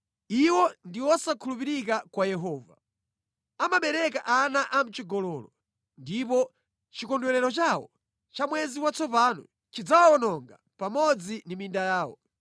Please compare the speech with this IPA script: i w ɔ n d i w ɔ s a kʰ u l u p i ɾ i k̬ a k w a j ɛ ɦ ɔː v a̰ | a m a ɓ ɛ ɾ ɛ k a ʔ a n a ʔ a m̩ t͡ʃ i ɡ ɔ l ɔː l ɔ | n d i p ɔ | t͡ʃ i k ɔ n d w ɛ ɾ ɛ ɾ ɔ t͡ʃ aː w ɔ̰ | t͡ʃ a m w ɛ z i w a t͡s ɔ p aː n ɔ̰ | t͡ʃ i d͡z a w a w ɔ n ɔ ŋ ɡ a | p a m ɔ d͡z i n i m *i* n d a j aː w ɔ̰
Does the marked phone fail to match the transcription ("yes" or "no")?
no